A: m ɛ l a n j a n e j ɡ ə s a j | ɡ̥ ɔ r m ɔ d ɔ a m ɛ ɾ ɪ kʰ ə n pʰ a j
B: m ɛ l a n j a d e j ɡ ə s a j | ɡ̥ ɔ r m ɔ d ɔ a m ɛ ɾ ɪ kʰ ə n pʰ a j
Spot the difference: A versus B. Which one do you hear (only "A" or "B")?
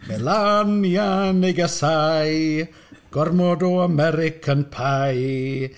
A